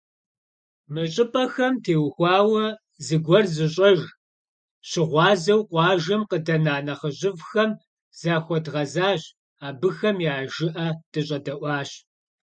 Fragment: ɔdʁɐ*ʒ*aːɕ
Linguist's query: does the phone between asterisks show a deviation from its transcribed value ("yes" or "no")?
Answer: yes